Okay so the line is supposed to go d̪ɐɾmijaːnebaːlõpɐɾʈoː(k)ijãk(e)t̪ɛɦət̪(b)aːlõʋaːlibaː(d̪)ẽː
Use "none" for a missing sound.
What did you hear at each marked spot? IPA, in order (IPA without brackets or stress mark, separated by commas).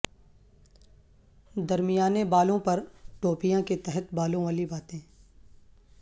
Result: p, e, b, t̪